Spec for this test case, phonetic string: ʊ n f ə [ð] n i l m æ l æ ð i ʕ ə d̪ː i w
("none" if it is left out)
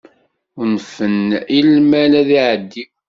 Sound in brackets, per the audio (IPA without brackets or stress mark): none